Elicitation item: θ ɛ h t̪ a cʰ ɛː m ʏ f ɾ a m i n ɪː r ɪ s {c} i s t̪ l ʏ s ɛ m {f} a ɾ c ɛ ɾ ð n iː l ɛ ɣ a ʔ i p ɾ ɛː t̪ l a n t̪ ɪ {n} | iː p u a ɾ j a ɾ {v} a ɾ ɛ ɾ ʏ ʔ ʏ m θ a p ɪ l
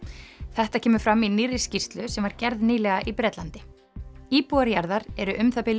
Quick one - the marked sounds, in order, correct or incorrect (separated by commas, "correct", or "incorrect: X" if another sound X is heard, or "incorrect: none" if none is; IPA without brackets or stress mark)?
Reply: correct, incorrect: v, incorrect: none, incorrect: ð